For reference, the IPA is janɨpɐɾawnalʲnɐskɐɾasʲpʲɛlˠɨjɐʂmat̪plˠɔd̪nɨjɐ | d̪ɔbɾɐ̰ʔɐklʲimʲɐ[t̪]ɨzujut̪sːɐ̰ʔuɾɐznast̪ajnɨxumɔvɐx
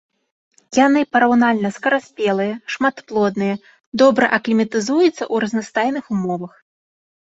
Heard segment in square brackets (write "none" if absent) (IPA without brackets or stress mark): t̪